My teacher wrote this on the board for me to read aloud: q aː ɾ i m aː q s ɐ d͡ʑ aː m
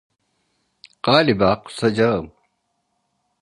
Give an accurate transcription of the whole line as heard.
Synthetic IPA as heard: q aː l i b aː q s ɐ d͡ʑ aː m